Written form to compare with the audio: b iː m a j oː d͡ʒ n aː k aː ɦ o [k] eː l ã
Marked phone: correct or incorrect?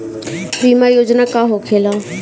incorrect: kʰ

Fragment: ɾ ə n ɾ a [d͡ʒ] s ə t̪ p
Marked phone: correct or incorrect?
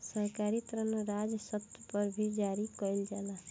correct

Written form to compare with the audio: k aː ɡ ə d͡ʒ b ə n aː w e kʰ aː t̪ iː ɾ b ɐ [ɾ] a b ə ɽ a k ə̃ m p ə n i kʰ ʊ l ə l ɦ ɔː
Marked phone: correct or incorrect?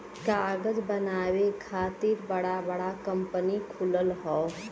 incorrect: ɽ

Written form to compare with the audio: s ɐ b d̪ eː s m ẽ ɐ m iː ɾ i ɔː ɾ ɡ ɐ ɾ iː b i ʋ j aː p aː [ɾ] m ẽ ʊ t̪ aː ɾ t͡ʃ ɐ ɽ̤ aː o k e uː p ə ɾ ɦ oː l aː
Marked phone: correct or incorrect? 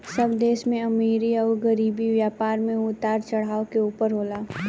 correct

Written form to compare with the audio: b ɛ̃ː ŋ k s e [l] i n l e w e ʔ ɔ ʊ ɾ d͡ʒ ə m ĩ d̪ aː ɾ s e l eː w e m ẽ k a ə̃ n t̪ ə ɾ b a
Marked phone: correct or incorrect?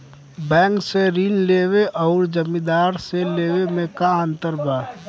incorrect: ɾ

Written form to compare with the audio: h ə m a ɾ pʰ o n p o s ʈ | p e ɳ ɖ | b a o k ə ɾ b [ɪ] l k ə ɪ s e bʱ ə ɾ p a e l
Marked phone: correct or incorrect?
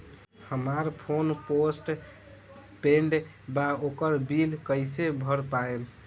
incorrect: i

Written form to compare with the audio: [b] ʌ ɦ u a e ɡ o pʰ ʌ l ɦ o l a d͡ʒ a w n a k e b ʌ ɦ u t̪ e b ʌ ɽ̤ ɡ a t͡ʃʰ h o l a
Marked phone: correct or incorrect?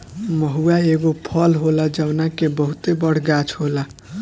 incorrect: m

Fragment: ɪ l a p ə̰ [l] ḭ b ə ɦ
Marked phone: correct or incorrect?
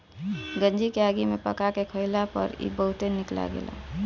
incorrect: ɾ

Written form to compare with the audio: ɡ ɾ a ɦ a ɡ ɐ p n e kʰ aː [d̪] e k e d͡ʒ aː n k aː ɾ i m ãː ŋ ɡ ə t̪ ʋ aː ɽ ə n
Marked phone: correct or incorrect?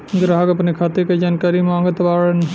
incorrect: t̪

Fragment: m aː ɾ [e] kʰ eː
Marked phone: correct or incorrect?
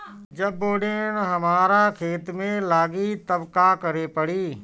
incorrect: a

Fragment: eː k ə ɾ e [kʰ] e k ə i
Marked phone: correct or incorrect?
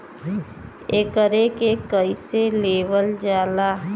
incorrect: k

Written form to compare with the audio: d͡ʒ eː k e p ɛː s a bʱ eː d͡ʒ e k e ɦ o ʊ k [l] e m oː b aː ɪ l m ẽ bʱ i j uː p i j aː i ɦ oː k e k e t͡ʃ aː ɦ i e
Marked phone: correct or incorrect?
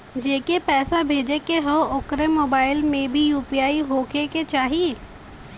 incorrect: ɾ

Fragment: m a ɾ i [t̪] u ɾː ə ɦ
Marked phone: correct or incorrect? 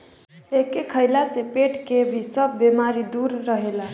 incorrect: d̪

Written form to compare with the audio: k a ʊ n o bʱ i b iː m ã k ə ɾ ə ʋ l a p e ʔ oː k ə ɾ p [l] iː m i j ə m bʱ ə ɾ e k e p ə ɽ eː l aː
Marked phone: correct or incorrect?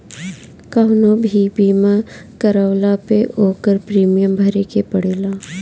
incorrect: ɾ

